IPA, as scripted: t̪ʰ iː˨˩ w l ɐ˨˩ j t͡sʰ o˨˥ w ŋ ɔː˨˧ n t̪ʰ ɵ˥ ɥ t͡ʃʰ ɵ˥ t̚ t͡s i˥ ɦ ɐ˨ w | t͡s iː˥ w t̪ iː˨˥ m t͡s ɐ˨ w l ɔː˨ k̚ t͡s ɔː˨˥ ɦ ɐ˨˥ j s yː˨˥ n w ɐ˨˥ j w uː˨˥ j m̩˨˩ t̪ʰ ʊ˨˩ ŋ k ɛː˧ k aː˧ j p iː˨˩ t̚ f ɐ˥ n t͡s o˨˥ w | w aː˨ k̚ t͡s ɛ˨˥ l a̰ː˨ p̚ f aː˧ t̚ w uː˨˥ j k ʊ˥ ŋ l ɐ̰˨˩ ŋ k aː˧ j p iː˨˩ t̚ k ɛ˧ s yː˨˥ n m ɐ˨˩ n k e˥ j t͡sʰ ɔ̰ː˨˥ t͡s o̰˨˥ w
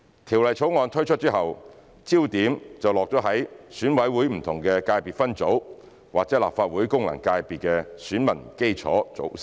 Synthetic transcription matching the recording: t̪ʰ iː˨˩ w l ɐ˨˩ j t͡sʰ o˨˥ w ŋ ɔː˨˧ n t̪ʰ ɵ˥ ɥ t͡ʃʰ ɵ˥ t̚ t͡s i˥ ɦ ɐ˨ w | t͡s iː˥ w t̪ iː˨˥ m t͡s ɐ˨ w l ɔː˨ k̚ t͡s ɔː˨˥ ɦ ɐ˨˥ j s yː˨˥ n w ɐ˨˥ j w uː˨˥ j m̩˨˩ t̪ʰ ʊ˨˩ ŋ k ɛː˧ k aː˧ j p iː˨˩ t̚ f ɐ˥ n t͡s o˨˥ w | w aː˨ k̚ t͡s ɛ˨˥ l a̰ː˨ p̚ f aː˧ t̚ w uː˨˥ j k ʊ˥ ŋ l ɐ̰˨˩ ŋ k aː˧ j p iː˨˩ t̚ k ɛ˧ s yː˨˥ n m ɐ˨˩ n k e˥ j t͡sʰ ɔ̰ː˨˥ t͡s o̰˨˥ w